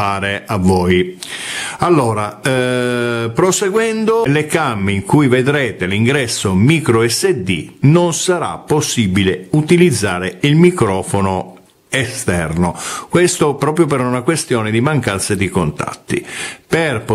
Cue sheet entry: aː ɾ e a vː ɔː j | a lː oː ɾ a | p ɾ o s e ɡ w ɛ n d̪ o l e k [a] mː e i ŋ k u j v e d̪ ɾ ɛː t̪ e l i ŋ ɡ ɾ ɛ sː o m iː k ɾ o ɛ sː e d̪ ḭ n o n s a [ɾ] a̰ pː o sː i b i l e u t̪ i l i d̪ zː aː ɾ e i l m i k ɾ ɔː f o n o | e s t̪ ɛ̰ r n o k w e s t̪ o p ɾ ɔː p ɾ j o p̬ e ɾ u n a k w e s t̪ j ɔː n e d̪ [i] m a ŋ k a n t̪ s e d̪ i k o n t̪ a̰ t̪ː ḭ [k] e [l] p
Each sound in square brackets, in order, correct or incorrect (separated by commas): correct, correct, correct, incorrect, incorrect